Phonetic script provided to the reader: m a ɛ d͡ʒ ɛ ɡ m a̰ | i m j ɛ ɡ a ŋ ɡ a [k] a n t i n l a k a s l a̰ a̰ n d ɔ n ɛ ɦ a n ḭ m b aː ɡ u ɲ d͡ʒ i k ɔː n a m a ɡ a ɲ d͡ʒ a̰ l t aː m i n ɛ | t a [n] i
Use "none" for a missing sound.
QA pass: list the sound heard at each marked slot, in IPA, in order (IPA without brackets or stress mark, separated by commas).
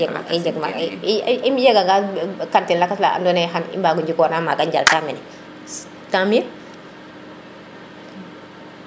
k, m